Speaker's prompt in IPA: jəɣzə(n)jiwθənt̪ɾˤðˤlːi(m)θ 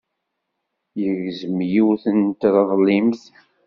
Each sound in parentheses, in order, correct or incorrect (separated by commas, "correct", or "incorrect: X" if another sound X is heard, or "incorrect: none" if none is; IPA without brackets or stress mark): incorrect: m, correct